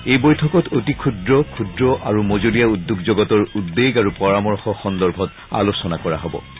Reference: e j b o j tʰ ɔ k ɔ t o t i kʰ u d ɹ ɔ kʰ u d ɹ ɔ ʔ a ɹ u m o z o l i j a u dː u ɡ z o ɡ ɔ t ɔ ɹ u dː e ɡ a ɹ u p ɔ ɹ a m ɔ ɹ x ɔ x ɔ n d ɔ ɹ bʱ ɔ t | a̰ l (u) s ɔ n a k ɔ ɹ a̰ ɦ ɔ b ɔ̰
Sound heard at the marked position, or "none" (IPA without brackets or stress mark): o